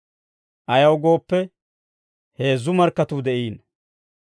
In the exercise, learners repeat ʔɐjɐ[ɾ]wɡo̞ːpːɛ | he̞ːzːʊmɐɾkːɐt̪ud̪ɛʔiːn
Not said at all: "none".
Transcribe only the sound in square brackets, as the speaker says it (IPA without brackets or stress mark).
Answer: none